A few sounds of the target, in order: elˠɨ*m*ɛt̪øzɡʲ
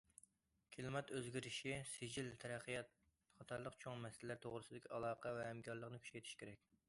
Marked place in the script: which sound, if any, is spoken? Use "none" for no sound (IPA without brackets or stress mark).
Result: m